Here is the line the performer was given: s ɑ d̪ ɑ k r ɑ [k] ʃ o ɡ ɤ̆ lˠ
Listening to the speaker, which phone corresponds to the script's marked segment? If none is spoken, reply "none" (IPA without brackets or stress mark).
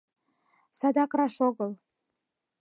none